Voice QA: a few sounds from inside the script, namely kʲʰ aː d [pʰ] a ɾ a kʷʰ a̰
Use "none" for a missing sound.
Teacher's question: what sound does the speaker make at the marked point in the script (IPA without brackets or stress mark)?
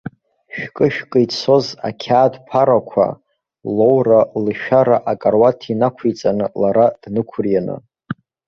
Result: pʰ